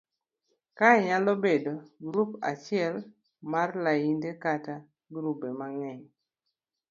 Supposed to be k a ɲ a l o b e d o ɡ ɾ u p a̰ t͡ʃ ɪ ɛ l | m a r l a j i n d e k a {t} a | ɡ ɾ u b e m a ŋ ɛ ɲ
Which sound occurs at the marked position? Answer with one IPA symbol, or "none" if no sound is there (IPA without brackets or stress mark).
t